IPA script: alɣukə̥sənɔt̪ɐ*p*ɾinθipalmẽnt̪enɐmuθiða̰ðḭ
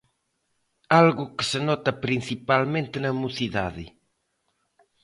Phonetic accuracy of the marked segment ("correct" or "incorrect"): correct